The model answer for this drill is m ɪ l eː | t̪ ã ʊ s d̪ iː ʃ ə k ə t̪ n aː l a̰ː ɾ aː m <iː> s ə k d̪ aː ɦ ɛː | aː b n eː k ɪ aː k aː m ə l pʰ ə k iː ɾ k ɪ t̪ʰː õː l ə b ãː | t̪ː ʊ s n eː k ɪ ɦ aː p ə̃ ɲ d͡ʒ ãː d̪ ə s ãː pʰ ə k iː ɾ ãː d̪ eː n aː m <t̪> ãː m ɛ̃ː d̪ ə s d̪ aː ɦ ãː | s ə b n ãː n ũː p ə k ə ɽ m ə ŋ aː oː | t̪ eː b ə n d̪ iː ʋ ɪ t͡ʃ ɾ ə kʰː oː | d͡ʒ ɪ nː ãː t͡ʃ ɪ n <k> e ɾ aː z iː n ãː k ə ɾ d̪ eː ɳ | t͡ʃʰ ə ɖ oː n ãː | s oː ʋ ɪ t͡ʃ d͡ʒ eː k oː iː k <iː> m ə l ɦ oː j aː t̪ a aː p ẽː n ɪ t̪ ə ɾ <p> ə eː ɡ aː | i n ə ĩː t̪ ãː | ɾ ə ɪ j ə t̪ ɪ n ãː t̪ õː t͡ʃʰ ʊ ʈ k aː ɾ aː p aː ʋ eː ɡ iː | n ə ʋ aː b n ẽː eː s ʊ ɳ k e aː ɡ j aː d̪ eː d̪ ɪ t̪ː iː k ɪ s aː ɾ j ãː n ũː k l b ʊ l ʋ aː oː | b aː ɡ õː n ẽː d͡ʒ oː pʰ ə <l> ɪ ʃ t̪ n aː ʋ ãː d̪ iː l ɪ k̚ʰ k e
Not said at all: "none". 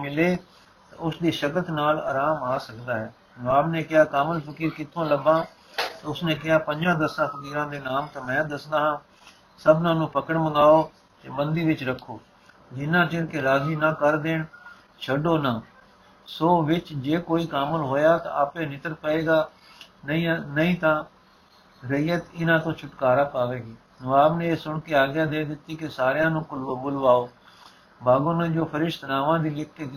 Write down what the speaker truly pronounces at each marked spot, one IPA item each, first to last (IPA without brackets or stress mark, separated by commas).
aː, t̪, k, aː, p, ɾ